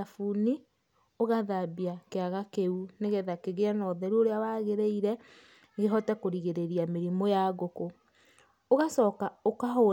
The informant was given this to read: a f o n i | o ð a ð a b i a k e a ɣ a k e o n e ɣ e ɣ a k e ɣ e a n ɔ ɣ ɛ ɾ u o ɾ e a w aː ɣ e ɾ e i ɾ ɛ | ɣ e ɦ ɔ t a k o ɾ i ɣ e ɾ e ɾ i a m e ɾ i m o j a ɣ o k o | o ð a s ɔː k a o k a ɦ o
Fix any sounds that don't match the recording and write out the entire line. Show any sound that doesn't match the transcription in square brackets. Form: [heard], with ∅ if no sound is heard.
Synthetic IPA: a f [u] n i | o [ɣ] a ð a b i a k e a ɣ a k e [u] n e ɣ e [ð] a k e ɣ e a n ɔ [ð] ɛ ɾ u o ɾ e a w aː ɣ e ɾ e i ɾ ɛ | ɣ e ɦ ɔ t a k o ɾ i ɣ e ɾ e ɾ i a m e ɾ i m o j a ɣ o k o | o [ɣ] a s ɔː k a o k a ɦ o